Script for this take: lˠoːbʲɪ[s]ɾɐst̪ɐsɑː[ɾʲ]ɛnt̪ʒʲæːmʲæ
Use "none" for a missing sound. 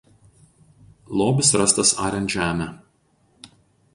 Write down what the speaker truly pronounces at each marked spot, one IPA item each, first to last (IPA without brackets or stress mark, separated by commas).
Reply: s, ɾʲ